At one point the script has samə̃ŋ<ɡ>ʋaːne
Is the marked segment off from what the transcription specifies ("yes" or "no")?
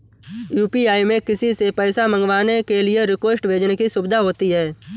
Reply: no